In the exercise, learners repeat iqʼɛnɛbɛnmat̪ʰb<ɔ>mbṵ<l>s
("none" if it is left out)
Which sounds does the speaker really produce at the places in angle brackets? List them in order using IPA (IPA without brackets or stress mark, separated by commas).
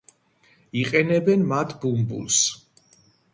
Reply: u, l